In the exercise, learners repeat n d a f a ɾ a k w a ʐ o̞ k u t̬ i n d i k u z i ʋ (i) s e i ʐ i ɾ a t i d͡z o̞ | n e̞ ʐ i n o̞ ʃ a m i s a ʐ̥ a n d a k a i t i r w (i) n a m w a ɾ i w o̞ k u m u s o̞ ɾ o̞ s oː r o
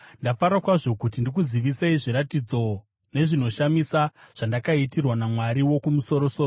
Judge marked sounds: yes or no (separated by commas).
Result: yes, no